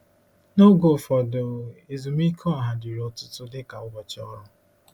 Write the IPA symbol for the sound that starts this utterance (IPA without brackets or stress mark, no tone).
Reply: n